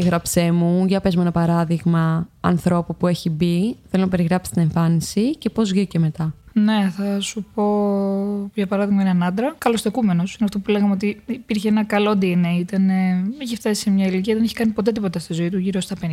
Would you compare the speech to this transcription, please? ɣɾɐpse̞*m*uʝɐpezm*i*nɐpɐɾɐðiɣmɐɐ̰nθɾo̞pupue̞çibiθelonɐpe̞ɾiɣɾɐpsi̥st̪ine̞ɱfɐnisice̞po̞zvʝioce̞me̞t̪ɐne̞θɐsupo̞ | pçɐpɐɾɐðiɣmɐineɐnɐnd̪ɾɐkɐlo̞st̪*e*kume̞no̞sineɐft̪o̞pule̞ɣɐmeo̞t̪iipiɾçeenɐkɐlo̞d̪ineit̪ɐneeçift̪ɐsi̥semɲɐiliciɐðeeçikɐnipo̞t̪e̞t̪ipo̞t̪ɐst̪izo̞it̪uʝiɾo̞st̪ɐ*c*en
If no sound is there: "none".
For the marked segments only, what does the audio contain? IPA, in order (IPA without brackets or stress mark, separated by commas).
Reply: m, e, e, p